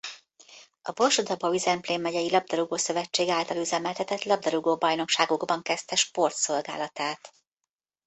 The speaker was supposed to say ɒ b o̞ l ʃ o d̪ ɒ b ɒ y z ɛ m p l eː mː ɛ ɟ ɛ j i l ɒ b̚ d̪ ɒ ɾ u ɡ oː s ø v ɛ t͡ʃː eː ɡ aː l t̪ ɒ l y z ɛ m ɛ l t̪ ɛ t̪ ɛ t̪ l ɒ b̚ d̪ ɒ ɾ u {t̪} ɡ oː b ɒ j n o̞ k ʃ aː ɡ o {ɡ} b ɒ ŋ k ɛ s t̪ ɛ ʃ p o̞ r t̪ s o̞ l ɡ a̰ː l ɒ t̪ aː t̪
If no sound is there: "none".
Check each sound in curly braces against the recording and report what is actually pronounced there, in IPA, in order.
none, ɡ

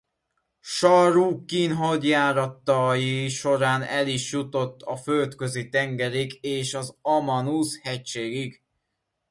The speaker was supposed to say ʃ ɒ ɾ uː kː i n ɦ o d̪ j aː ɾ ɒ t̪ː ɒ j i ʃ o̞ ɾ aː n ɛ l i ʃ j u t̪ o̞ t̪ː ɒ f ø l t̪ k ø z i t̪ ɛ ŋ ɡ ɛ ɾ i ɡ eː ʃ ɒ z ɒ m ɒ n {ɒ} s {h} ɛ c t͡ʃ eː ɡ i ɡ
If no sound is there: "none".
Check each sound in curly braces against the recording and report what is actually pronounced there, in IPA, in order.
u, h

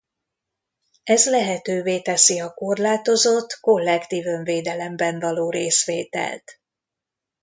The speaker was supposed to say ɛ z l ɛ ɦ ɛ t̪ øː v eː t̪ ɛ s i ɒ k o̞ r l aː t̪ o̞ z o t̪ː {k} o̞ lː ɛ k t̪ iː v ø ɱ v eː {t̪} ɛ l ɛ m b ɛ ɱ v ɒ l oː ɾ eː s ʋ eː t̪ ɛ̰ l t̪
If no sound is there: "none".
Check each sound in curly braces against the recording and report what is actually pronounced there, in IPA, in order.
k, d̪

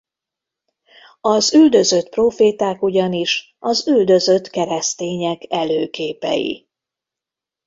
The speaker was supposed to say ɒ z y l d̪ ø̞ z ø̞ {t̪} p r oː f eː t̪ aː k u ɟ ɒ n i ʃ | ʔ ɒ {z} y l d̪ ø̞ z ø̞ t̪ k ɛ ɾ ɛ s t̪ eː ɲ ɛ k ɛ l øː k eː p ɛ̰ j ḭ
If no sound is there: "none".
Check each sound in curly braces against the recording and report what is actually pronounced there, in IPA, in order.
t̪, z

